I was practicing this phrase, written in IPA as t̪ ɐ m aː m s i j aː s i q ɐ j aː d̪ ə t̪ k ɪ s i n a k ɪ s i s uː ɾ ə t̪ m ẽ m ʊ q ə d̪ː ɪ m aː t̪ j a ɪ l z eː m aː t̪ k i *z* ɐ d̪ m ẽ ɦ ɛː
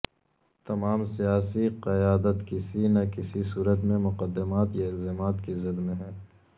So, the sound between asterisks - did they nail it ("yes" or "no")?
yes